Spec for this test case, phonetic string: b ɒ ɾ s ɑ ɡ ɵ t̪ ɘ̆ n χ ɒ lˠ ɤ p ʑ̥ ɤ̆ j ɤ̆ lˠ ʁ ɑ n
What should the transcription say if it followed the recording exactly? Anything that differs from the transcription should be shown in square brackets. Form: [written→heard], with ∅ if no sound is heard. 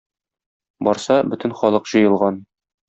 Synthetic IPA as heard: b ɒ ɾ s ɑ [ɡ→b] ɵ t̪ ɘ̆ n χ ɒ lˠ ɤ [p→q] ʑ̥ ɤ̆ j ɤ̆ lˠ ʁ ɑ n